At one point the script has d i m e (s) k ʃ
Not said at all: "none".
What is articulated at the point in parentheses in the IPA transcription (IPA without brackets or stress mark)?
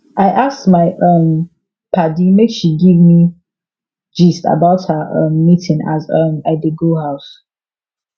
none